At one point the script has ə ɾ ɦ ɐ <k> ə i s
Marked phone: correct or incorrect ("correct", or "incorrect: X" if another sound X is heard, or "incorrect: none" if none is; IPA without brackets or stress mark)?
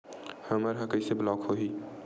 correct